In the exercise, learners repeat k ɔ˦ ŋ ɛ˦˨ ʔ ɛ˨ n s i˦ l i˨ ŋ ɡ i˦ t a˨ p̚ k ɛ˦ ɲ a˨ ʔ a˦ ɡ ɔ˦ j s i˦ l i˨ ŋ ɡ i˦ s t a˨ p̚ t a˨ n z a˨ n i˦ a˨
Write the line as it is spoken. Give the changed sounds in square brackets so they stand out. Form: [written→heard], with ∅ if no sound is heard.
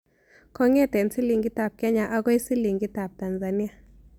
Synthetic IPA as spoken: k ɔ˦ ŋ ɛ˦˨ [ʔ→t] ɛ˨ n s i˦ l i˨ ŋ ɡ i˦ t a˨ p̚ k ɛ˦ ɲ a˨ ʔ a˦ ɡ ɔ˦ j s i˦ l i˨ ŋ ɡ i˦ [s→∅] t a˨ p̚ t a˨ n z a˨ n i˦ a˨